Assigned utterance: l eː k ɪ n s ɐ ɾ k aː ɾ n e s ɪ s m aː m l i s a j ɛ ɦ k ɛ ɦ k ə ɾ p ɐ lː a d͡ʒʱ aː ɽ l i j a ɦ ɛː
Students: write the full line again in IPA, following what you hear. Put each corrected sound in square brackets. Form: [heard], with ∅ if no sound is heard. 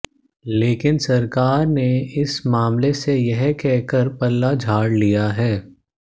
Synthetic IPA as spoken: l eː k ɪ n s ɐ ɾ k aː ɾ n e [∅] ɪ s m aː m l [e] s [e] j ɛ ɦ k ɛ ɦ k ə ɾ p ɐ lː a d͡ʒʱ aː ɽ l i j a ɦ ɛː